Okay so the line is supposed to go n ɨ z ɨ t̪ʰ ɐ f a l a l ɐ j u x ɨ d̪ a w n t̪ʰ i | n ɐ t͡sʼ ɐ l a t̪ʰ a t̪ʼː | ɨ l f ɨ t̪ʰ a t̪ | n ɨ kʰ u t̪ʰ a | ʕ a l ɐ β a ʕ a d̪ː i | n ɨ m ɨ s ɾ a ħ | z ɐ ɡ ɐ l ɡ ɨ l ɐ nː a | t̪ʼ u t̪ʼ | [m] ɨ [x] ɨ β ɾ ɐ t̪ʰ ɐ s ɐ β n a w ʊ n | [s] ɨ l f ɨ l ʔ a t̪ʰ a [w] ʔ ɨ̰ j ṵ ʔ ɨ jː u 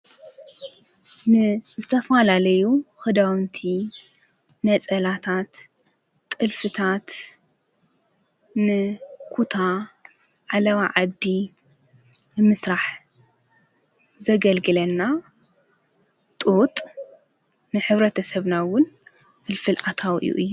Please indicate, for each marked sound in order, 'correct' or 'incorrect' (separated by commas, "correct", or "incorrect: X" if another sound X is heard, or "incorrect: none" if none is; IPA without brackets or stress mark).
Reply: incorrect: n, incorrect: ħ, incorrect: f, correct